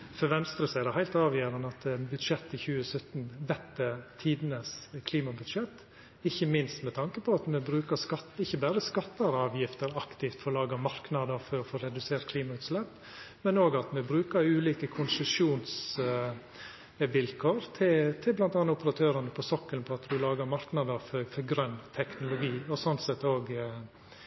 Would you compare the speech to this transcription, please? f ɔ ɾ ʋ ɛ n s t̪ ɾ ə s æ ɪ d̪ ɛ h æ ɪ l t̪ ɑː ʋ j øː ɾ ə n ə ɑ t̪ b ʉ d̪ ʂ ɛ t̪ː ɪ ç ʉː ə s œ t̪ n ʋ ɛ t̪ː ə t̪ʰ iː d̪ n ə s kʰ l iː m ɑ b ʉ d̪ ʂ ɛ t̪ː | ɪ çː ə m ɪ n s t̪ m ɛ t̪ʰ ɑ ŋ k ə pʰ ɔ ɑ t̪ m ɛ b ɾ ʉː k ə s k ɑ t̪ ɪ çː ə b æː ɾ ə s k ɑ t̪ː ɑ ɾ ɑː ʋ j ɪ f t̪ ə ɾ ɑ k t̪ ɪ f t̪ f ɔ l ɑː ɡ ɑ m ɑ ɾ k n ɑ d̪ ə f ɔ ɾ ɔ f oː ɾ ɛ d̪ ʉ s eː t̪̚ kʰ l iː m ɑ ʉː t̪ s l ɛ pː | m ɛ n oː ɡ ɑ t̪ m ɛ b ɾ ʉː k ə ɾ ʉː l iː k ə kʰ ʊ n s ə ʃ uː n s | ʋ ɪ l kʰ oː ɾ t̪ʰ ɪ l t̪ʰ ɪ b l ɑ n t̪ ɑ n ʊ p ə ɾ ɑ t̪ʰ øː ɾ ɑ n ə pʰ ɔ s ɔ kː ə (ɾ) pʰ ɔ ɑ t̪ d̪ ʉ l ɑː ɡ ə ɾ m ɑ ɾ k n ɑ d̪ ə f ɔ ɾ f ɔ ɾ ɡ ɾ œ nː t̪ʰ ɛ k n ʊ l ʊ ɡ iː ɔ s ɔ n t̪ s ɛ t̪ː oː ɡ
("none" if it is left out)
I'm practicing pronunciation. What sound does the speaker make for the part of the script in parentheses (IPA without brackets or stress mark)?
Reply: l